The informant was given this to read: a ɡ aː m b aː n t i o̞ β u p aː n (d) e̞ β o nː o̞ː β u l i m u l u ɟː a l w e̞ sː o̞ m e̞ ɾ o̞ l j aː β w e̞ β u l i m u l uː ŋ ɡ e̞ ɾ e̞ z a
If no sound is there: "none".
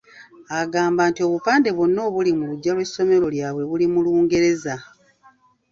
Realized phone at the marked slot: d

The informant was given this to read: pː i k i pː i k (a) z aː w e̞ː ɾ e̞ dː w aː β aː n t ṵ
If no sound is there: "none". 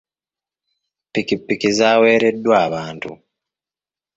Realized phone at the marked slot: i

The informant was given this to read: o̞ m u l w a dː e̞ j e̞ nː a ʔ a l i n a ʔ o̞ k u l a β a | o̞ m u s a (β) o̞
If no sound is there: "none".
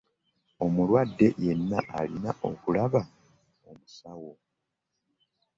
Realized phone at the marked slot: w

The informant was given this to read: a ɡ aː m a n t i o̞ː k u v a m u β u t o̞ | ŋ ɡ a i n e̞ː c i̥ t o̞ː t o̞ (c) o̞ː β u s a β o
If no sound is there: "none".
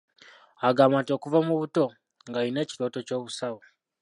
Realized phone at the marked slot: c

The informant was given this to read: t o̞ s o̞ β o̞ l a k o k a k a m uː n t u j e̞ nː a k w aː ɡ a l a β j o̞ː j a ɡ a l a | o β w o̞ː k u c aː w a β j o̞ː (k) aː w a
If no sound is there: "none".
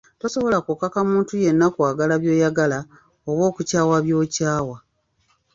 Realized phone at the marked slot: c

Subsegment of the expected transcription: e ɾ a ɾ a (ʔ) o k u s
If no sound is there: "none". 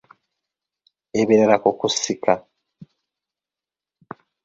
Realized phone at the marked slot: k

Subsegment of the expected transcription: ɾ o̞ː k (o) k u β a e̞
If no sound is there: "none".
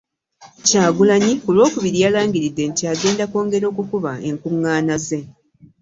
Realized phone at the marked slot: u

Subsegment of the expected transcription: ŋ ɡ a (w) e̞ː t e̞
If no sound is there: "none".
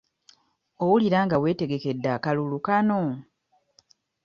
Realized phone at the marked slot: w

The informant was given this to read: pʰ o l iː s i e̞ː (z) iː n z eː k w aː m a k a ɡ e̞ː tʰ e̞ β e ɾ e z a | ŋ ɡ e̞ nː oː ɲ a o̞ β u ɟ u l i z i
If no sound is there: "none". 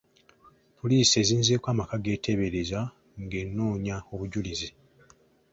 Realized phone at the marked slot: z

